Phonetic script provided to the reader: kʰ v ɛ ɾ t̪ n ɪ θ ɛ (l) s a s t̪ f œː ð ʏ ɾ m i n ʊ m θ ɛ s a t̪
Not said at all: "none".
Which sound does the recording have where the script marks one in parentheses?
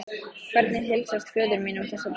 l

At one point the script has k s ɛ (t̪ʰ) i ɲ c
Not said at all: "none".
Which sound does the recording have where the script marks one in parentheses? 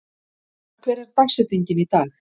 t̪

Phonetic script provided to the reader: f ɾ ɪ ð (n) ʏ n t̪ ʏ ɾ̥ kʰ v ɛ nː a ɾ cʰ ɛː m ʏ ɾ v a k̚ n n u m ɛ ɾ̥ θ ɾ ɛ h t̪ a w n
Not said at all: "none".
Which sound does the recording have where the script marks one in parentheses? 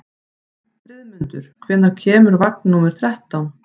m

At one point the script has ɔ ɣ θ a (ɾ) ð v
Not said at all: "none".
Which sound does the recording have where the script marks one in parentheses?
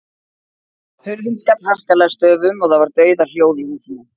none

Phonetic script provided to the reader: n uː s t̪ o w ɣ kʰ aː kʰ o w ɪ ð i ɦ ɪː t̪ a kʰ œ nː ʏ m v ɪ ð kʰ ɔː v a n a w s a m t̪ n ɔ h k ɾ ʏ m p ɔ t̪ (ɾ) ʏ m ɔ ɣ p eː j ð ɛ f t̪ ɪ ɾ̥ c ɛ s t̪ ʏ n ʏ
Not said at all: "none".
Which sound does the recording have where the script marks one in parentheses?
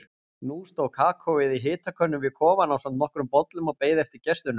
l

